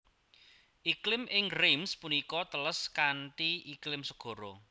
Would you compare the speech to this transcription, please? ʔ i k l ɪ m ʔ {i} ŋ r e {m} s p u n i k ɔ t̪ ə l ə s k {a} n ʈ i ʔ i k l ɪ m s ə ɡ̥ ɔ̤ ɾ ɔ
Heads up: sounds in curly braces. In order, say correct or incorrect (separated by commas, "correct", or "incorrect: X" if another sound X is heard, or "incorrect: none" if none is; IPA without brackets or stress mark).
incorrect: ɪ, correct, correct